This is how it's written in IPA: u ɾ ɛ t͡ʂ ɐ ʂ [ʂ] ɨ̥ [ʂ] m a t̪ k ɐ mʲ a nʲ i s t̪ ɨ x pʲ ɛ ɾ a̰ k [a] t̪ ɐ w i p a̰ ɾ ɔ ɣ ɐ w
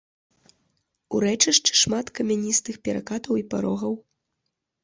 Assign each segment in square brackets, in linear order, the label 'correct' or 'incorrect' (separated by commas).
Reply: incorrect, correct, correct